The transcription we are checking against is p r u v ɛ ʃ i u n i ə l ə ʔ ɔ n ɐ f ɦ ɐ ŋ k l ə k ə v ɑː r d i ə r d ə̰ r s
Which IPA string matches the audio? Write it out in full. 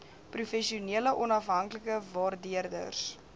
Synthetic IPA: p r u f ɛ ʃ i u n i ə l ə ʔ ɔ n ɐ f ɦ ɐ ŋ k l ə k ə v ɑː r d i ə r d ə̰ r s

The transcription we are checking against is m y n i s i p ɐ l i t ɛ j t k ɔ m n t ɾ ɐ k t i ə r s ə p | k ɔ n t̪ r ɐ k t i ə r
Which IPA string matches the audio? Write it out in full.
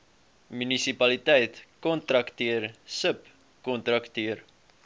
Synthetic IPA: m y n i s i p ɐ l i t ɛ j t k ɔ n t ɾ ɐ k t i ə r s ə p | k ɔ n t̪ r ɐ k t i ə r

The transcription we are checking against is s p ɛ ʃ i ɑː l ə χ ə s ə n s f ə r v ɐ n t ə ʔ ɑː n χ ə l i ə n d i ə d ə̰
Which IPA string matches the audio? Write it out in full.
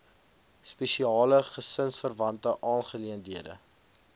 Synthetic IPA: s p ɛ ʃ i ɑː l ə χ ə s ə n s f ə r v ɐ n t ə ʔ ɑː n χ ə l i ə n d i ə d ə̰

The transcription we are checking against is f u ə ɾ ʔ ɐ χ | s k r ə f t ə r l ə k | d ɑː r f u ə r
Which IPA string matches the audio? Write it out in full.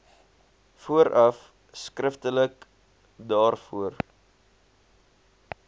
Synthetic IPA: f u ə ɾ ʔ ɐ f | s k r ə f t ə l ə k | d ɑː r f u ə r

